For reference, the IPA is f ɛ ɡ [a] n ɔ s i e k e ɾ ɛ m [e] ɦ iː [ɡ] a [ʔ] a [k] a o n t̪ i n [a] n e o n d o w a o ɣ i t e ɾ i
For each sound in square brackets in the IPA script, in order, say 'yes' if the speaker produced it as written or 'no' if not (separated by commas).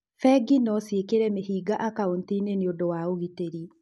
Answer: no, yes, yes, yes, yes, no